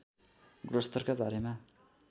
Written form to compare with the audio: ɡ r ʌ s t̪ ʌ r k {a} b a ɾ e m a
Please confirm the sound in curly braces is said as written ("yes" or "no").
yes